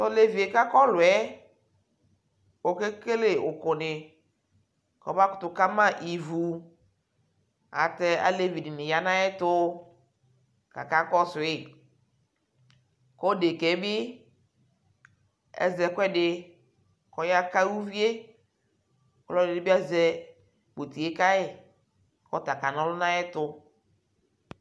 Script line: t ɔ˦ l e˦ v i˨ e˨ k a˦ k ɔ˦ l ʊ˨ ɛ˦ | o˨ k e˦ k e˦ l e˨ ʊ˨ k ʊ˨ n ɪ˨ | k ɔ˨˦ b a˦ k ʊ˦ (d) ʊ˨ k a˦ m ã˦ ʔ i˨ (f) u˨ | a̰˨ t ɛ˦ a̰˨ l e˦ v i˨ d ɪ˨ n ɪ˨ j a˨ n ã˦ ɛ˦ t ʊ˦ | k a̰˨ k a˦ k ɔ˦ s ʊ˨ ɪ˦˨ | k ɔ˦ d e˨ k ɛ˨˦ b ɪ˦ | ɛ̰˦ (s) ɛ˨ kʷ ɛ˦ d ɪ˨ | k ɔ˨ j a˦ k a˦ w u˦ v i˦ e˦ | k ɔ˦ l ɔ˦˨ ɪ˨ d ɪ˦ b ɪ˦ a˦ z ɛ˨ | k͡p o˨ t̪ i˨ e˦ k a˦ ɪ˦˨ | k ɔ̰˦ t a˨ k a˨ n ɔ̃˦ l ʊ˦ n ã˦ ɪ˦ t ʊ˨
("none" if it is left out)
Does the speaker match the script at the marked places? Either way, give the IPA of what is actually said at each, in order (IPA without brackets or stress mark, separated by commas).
t, v, z